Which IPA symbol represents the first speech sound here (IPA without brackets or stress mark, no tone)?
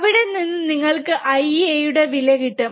ʋ